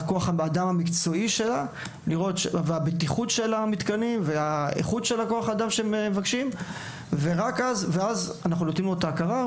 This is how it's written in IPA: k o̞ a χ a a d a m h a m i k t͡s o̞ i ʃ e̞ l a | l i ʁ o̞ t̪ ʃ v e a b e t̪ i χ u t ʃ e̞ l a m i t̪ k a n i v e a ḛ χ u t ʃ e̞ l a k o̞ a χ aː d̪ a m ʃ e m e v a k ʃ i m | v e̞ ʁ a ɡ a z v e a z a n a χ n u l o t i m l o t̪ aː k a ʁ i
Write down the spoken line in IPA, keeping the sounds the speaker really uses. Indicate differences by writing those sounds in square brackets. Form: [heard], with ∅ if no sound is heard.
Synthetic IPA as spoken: k o̞ a χ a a d a m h a m i k t͡s o̞ i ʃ e̞ l a | l i ʁ o̞ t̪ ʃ v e a b e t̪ i χ u t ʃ e̞ l a m i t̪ k a n i v e a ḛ χ u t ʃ e̞ l a k o̞ a χ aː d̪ a m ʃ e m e v a k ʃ i m | v e̞ ʁ a [k] a z v e a z a n a χ n u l o t i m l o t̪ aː k a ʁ [a]

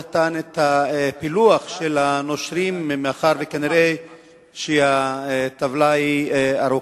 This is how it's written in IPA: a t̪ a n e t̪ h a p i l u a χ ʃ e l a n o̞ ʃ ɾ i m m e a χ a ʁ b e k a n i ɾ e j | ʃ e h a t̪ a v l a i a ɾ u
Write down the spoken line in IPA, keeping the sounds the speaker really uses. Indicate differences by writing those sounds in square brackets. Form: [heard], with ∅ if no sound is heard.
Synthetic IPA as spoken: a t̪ a n e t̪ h a p i l u a χ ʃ e l a n o̞ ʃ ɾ i m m e a χ a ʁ [v] e k a n i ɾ e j | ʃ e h a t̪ a v l a i a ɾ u

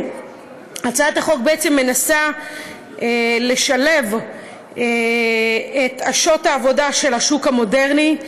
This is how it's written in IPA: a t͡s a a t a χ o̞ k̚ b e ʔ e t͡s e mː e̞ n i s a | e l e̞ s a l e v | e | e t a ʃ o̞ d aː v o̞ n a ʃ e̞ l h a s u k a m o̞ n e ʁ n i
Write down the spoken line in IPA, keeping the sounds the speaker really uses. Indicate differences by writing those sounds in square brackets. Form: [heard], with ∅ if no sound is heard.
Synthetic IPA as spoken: a t͡s a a t a χ o̞ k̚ b e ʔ e t͡s e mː e̞ n [a] s a | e l e̞ [ʃ] a l e v | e | e t a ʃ o̞ [t] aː v o̞ [d] a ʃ e̞ l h a [ʃ] u k a m o̞ [d] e ʁ n i

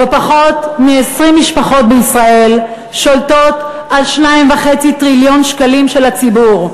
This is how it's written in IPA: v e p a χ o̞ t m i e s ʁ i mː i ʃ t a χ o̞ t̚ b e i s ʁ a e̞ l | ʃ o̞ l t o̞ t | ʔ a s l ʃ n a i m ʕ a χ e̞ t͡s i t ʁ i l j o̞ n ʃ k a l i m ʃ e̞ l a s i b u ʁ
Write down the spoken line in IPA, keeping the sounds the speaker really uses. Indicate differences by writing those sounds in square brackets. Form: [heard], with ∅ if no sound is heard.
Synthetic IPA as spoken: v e p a χ o̞ t m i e s ʁ i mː i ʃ [p] a χ o̞ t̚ b e i s ʁ a e̞ l | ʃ o̞ l t o̞ t | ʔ a [∅] l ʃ n a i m [v] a χ e̞ t͡s i t ʁ i l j o̞ n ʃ k a l i m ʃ e̞ l a [t͡s] i b u ʁ

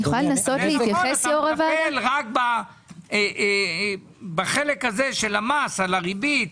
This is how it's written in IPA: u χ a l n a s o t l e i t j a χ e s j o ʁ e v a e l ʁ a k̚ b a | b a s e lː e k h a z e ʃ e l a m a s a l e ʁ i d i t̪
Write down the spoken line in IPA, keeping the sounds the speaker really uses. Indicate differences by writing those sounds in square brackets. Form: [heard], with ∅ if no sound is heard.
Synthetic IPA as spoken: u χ a l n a s o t l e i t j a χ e s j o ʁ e v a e l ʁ a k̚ b a | b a [χ] e [l] e k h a z e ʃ e l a m a s a l [a] ʁ i [b] i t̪

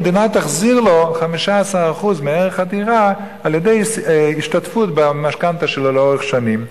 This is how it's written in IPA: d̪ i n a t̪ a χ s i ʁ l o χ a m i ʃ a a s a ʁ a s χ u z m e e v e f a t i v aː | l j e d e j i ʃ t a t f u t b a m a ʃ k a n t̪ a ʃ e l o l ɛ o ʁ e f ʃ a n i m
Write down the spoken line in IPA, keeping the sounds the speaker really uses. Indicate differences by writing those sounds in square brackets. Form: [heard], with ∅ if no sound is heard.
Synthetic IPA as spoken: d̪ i n a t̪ a χ [z] i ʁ l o χ a m i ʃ a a s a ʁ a [∅] χ u z m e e [ʁ] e [χ] a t i [ʁ] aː | l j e d e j i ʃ t a t f u t b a m a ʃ k a n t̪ a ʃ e l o l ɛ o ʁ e [χ] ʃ a n i m

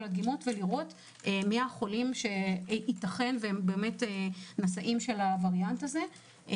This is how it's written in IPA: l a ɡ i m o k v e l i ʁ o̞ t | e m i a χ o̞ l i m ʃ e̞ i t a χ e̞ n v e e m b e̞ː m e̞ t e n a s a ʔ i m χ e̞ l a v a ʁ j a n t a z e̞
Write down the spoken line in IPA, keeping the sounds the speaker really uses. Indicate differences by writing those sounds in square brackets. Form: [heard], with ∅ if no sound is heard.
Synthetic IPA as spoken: l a ɡ i m o [t] v e l i ʁ o̞ t | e m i a χ o̞ l i m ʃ e̞ i t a χ e̞ n v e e m b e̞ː m e̞ t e n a s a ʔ i m [ʃ] e̞ l a v a ʁ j a n t a z e̞

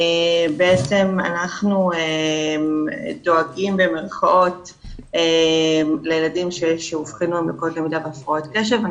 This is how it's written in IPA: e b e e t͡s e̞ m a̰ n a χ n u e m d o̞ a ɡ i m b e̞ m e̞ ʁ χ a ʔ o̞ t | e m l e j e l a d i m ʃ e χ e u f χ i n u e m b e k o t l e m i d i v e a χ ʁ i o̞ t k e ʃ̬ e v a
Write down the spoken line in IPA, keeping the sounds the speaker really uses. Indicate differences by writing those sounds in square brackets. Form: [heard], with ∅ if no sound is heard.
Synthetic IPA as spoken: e b e e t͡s e̞ m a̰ n a χ n u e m d o̞ a ɡ i m b e̞ m e̞ ʁ χ a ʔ o̞ t | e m l e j e l a d i m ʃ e [ʃ] e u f χ i n u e m b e k o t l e m i d [a] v e a [f] ʁ [a] o̞ t k e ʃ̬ e v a

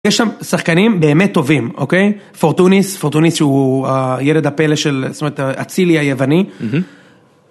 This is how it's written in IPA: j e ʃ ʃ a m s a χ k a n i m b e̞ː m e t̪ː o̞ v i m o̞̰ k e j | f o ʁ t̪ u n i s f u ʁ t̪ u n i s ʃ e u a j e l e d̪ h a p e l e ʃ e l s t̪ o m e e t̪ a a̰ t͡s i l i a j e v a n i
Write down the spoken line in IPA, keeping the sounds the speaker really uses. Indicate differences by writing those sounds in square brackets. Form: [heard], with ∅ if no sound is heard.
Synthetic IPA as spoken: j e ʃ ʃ a m s a χ k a n i m b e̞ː m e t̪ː o̞ v i m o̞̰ k e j | f o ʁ t̪ u n i s f [o] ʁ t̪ u n i s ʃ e u a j e l e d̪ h a p e l e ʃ e l s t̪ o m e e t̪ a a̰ t͡s i l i a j e v a n i

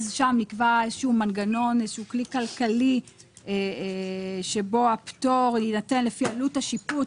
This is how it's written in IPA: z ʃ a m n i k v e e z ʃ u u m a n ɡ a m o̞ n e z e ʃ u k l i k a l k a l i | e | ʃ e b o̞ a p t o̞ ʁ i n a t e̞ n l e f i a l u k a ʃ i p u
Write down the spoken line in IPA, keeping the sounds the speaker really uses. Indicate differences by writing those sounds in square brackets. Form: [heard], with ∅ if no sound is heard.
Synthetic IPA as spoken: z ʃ a m n i k v [a] e z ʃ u u m a n ɡ a [n] o̞ n e z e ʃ u k l i k a l k a l i | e | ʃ e b o̞ a p t o̞ ʁ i n a t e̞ n l e f i a l u [t] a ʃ i p u

